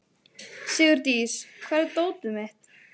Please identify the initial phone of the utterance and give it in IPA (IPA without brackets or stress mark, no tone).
s